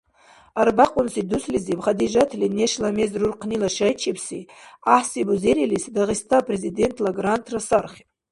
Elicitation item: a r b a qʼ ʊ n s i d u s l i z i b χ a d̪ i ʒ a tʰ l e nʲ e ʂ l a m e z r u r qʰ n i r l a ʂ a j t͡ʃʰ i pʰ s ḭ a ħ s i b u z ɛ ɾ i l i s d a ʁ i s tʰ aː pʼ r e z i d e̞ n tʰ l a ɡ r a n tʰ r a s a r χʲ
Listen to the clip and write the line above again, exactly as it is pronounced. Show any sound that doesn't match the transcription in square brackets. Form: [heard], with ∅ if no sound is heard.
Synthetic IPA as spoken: a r b a qʼ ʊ n s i d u s l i z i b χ a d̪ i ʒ a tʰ l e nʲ e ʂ l a m e z r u r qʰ n i [∅] l a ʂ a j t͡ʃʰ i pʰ s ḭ a ħ s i b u z [e] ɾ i l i s d a ʁ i s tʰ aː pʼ r e z i d e̞ n tʰ l a ɡ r a n tʰ r a s a r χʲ